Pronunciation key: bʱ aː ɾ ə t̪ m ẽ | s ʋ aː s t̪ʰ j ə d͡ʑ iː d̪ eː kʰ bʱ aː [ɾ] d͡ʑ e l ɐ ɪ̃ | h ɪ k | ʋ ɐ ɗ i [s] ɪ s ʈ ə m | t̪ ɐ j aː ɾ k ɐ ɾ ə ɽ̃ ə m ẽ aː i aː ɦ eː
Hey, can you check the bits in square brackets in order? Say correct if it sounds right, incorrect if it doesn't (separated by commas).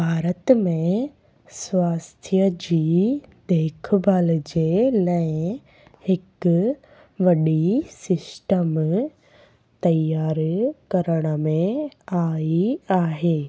incorrect, correct